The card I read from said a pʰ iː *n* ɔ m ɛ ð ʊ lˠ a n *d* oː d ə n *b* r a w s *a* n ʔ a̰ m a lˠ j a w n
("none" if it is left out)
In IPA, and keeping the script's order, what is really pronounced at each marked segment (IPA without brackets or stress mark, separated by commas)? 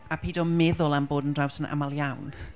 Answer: d, b, d, ə